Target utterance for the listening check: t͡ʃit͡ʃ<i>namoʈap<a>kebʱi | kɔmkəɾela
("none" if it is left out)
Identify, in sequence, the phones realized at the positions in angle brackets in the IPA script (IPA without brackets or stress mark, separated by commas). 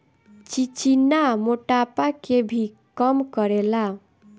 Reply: i, a